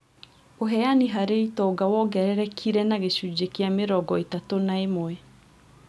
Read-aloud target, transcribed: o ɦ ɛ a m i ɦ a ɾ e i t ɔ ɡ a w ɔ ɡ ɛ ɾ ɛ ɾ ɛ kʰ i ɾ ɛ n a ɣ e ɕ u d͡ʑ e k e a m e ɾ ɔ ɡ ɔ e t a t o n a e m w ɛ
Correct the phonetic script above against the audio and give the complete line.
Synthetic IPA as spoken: o ɦ ɛ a n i ɦ a ɾ e i t ɔ ɡ a w ɔ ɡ ɛ ɾ ɛ ɾ ɛ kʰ i ɾ ɛ n a ɣ e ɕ u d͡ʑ e k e a m e ɾ ɔ ɡ ɔ e t a t o n a e m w ɛ